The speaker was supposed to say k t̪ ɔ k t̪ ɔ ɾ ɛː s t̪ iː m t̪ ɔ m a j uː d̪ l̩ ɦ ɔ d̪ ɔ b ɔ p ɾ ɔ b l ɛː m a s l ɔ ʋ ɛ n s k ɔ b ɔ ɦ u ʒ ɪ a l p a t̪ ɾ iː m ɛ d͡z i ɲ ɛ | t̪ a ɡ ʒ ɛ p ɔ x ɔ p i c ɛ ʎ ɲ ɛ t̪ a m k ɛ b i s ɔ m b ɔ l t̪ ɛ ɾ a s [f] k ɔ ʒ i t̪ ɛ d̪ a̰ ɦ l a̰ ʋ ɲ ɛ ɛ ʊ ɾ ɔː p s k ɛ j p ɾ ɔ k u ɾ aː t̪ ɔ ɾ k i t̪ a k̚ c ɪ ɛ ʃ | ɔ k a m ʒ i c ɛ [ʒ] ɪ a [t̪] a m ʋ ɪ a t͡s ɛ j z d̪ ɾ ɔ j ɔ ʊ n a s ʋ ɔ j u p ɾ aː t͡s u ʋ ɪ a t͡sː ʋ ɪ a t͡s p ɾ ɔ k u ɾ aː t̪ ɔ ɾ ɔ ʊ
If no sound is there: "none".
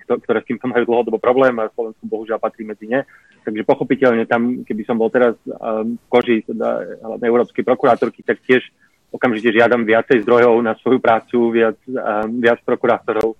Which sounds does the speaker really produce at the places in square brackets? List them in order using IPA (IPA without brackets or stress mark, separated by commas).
f, ʒ, d̪